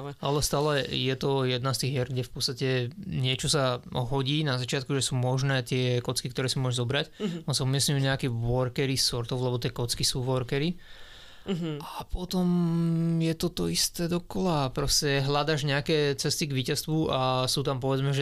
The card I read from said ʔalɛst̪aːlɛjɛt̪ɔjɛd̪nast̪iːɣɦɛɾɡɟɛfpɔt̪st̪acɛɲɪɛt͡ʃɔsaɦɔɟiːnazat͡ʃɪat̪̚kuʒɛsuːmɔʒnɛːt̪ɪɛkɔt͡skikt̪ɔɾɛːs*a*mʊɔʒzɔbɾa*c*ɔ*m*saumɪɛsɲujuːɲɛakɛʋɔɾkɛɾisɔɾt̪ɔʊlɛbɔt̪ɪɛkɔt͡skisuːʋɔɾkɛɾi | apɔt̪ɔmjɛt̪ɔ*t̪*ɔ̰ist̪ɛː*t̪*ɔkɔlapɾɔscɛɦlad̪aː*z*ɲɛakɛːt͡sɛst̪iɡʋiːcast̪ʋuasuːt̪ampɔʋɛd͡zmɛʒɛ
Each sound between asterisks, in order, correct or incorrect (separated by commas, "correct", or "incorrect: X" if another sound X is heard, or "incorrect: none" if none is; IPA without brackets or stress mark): incorrect: i, correct, incorrect: n, correct, incorrect: d̪, incorrect: ʒ